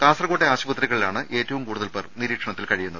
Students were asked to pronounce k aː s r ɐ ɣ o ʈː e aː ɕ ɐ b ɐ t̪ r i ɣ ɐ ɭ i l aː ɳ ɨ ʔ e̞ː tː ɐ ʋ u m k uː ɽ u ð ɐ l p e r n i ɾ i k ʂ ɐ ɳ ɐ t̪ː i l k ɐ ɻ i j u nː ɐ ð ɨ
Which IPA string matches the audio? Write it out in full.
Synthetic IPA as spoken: k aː s r ɐ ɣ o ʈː e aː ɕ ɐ b ɐ t̪ r i ɣ ɐ ɭ i l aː ɳ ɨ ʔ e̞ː tː ɐ ʋ u m k uː ɽ u ð ɐ l p e r n i ɾ iː k ʂ ɐ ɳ ɐ t̪ː i l k ɐ ɻ i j u nː ɐ ð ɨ